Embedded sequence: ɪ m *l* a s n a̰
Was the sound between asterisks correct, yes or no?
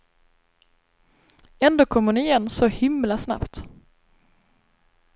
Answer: yes